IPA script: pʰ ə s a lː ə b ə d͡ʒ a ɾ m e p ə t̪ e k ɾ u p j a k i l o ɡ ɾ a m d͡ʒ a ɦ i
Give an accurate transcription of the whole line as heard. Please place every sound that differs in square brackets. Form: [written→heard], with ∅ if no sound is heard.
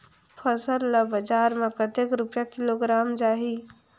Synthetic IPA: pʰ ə s [a→ə] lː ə b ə d͡ʒ a ɾ m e [p→k] ə t̪ e k ɾ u p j a k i l o ɡ ɾ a m d͡ʒ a ɦ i

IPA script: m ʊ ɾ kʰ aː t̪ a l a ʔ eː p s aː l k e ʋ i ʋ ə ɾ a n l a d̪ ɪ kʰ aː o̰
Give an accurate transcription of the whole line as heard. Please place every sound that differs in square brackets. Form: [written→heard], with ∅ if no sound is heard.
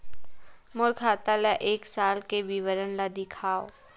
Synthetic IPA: m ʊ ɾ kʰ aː t̪ a l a ʔ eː [p→k] s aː l k e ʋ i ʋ ə ɾ [a→ə] n l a d̪ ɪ kʰ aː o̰

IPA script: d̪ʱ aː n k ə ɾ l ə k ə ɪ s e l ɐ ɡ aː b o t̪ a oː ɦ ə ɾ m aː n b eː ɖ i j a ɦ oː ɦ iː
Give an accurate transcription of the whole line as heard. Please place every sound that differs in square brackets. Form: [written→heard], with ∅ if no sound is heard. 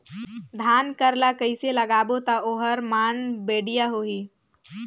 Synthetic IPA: d̪ʱ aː n k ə ɾ l [ə→a] k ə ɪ s e l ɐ ɡ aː b o t̪ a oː ɦ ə ɾ m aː n b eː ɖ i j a ɦ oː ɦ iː

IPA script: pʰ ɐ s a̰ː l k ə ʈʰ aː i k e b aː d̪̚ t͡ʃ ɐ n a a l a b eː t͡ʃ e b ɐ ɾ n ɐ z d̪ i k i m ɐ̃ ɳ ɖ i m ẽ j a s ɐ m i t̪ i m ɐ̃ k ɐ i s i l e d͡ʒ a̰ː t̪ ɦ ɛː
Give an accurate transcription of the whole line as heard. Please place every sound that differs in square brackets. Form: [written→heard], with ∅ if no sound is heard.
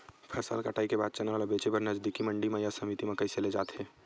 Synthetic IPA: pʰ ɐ s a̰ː l k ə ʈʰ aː i k e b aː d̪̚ t͡ʃ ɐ n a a l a b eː t͡ʃ e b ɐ ɾ n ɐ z d̪ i k i m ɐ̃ ɳ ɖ i m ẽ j a s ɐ m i t̪ i m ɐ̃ k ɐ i s [i→e] l e d͡ʒ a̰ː t̪ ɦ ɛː

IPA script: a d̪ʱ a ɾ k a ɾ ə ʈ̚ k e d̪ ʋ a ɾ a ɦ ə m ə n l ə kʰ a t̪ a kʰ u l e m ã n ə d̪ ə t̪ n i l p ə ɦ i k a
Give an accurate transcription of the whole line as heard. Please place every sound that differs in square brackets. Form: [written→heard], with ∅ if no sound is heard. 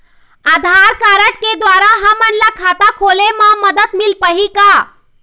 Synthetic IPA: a d̪ʱ a ɾ k a ɾ ə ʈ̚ k e d̪ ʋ a ɾ a ɦ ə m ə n l [ə→a] kʰ a t̪ a kʰ [u→o] l e m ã [n→m] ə d̪ ə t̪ [n→m] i l p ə ɦ i k a

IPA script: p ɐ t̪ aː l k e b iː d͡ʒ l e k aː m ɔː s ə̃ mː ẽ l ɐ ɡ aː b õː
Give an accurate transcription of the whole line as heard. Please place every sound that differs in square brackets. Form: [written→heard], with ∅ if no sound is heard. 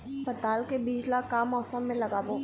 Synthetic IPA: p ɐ t̪ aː l k e b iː d͡ʒ l [e→a] k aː m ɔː s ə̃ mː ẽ l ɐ ɡ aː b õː

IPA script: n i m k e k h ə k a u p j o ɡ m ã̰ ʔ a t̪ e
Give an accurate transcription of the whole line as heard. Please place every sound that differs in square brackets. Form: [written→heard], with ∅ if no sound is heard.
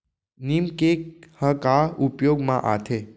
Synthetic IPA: n i m k e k h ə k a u p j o ɡ m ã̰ ʔ a [t̪→t̪ʰ] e

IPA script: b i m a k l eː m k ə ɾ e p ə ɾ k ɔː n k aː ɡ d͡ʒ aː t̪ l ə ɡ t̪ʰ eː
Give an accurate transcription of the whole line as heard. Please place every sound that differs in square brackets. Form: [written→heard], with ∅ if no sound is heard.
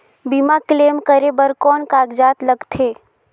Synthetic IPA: b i m a k l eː m k ə ɾ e [p→b] ə ɾ k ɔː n k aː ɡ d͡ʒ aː t̪ l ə ɡ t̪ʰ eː

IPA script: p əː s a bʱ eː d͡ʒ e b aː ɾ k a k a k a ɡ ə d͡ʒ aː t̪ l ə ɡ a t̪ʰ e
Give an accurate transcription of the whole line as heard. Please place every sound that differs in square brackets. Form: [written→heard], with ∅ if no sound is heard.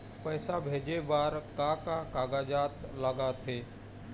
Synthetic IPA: p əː s a bʱ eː d͡ʒ e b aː ɾ k a k a k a ɡ [ə→a] d͡ʒ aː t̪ l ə ɡ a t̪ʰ e

